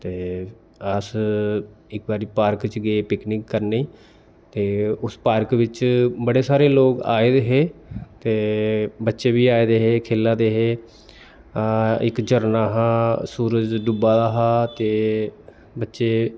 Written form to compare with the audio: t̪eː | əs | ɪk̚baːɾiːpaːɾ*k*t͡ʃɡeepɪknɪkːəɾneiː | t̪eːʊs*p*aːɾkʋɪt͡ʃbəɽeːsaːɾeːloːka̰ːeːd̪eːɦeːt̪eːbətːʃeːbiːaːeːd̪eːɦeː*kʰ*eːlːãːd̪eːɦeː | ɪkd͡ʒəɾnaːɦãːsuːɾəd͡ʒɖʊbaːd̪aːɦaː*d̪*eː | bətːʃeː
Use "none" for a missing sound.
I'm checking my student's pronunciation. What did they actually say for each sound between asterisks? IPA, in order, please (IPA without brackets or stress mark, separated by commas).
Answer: k, p, kʰ, t̪